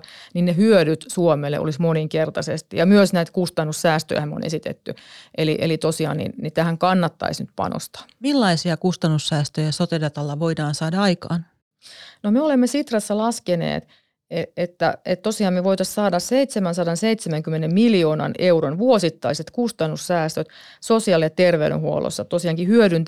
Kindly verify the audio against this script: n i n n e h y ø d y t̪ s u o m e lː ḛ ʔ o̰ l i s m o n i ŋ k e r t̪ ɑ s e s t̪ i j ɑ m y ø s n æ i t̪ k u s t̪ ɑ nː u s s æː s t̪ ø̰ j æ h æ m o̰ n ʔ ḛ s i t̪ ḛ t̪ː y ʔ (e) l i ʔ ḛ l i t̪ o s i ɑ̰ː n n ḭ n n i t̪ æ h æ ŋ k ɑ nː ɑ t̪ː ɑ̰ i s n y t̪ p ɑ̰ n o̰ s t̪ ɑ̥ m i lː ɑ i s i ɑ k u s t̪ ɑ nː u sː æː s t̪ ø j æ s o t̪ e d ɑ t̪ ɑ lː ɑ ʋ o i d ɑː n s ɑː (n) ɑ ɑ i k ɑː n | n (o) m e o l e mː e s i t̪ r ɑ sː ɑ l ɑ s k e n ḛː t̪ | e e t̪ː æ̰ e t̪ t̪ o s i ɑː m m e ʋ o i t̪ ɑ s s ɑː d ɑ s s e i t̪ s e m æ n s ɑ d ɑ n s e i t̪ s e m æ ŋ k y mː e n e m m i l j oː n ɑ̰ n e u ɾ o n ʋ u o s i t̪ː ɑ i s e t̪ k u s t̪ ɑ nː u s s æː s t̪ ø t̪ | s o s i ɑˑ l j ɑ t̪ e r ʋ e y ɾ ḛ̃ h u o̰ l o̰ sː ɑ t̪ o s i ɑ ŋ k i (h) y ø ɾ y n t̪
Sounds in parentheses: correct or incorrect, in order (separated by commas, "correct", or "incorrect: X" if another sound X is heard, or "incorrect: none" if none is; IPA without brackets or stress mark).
correct, incorrect: d, correct, correct